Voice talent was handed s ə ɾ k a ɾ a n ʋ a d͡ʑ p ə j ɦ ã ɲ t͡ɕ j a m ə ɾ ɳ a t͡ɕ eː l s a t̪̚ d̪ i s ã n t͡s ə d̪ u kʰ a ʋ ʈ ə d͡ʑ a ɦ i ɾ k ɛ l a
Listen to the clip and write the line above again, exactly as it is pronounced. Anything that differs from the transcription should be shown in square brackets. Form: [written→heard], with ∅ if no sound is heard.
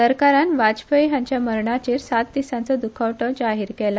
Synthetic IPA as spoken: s ə ɾ k a ɾ a n ʋ a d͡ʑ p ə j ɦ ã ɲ t͡ɕ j a m ə ɾ ɳ a t͡ɕ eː [l→ɾ] s a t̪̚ d̪ i s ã n t͡s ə d̪ u kʰ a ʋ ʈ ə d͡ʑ a ɦ i ɾ k ɛ l a